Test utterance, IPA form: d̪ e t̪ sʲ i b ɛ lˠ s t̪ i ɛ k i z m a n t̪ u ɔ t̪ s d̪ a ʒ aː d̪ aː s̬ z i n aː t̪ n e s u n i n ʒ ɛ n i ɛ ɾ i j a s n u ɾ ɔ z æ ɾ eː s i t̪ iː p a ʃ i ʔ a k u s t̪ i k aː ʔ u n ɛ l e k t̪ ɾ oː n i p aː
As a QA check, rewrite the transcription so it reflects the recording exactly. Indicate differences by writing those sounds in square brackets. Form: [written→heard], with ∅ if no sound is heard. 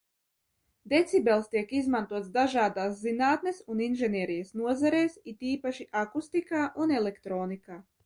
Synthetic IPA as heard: d̪ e t̪ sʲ i b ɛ lˠ s t̪ i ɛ k i z m a n t̪ u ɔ t̪ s d̪ a ʒ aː d̪ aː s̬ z i n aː t̪ n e s u n i n ʒ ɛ n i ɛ ɾ i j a s n u [ɾ→∅] ɔ z [æ→a] ɾ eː s i t̪ iː p a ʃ i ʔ a k u s t̪ i k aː ʔ u n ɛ l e k t̪ ɾ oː n i [p→k] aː

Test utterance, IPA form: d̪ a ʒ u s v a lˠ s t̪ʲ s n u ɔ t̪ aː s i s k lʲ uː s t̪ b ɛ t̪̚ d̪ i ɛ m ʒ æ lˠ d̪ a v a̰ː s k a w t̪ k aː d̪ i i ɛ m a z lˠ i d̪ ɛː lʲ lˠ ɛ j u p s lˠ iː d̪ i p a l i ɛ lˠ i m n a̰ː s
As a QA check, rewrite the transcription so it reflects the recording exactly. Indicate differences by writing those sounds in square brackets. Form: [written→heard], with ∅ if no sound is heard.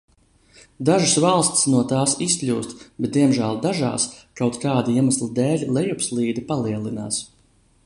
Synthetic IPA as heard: d̪ a ʒ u s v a lˠ s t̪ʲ s n u ɔ t̪ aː s i s k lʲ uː s t̪ b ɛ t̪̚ d̪ i ɛ m ʒ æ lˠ d̪ a [v→ʒ] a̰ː s k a w t̪ k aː d̪ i i ɛ m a [z→s] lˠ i d̪ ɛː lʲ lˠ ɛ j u p s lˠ iː d̪ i p a l i ɛ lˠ i [m→∅] n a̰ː s

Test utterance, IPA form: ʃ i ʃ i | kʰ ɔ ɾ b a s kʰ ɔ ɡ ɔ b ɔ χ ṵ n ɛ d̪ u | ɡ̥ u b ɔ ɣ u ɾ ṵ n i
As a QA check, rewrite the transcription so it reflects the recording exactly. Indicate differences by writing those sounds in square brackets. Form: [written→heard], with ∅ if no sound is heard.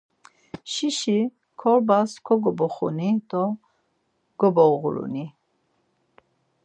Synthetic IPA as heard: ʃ i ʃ i | kʰ ɔ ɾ b a s kʰ ɔ ɡ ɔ b ɔ χ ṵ n [ɛ→i] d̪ [u→ɔ] | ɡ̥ [u→ɔ] b ɔ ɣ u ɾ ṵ n i

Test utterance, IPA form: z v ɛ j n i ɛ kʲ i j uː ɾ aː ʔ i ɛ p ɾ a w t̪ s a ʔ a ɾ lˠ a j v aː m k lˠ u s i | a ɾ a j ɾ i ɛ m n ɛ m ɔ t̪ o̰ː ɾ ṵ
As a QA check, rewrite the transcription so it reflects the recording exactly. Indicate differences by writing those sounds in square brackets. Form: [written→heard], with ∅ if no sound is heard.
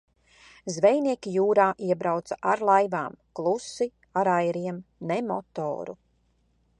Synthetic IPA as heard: z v ɛ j n i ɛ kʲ i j uː ɾ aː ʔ i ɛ [p→b] ɾ a w t̪ s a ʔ a ɾ lˠ a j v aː m k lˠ u s i | a ɾ a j ɾ i ɛ m n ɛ m ɔ t̪ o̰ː ɾ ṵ

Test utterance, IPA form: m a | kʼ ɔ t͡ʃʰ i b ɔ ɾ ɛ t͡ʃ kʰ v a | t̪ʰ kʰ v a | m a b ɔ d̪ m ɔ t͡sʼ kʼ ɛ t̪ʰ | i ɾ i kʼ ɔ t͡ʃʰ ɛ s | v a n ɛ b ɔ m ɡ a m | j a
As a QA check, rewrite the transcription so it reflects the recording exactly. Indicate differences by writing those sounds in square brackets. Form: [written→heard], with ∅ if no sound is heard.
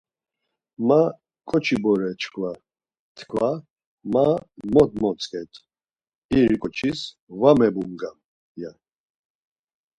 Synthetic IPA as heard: m a | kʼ ɔ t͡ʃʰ i b ɔ ɾ ɛ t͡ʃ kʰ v a | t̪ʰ kʰ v a | m a [b→m] ɔ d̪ m ɔ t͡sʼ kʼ ɛ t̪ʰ | i ɾ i kʼ ɔ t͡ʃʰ [ɛ→i] s | v a [n→m] ɛ b [ɔ→u] m ɡ a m | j a

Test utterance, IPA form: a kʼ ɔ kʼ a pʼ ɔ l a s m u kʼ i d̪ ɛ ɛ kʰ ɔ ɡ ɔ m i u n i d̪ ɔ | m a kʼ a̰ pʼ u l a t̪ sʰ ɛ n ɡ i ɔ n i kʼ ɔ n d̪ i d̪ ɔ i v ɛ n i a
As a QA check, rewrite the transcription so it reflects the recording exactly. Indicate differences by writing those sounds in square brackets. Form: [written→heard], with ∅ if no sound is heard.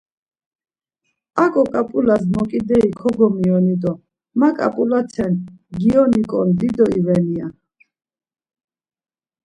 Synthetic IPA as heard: a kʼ ɔ kʼ a pʼ [ɔ→u] l a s m [u→ɔ] kʼ i d̪ ɛ [ɛ→i] kʰ ɔ ɡ ɔ m i [u→ɔ] n i d̪ ɔ | m a kʼ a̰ pʼ u l a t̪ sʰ ɛ n ɡ i ɔ n i kʼ ɔ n d̪ i d̪ ɔ i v ɛ n i a

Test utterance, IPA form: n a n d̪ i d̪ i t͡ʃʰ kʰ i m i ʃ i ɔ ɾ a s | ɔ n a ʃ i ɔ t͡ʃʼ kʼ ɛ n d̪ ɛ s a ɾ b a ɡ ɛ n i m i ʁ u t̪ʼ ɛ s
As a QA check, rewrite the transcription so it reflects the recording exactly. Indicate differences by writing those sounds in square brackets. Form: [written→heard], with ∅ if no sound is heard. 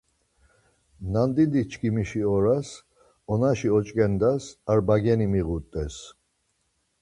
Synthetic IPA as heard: n a n d̪ i d̪ i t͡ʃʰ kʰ i m i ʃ i ɔ ɾ a s | ɔ n a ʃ i ɔ t͡ʃʼ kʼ ɛ n d̪ [ɛ→a] s a ɾ b a ɡ ɛ n i m i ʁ u t̪ʼ ɛ s

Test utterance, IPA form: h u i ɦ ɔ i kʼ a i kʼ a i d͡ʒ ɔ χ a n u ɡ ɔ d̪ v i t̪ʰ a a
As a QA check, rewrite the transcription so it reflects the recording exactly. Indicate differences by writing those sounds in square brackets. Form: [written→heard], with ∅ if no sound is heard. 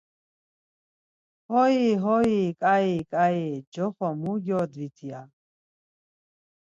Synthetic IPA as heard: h [u→ɔ] i ɦ ɔ i kʼ a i kʼ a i d͡ʒ ɔ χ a [n→m] u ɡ ɔ d̪ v i t̪ʰ [a→i] a

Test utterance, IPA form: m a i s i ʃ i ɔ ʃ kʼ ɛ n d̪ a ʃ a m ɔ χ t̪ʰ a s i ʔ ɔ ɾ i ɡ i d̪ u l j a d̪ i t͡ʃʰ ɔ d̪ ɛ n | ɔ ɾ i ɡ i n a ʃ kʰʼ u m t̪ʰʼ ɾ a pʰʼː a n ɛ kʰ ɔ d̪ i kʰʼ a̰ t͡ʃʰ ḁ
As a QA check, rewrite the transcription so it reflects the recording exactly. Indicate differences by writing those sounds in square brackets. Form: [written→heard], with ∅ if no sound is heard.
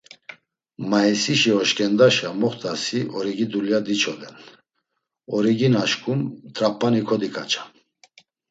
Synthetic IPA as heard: m a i s i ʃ i ɔ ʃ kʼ ɛ n d̪ a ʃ a m ɔ χ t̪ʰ a s i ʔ ɔ ɾ i ɡ i d̪ u l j a d̪ i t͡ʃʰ ɔ d̪ ɛ n | ɔ ɾ i ɡ i n a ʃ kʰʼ u m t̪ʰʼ ɾ a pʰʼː a n [ɛ→i] kʰ ɔ d̪ i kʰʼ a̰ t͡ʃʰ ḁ

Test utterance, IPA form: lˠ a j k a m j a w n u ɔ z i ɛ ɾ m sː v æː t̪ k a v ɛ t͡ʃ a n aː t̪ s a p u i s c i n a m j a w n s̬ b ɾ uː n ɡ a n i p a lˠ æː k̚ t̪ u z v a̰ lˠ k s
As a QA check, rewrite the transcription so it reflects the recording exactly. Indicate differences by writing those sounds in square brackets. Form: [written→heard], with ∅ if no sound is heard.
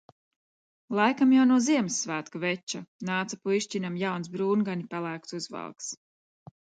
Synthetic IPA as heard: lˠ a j k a m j a w n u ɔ z i ɛ [ɾ→∅] m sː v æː t̪ k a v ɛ t͡ʃ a n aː t̪ s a p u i [s→ʃ] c i n a m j a w n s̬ b ɾ uː n ɡ a n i p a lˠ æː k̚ t̪ u z v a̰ lˠ k s

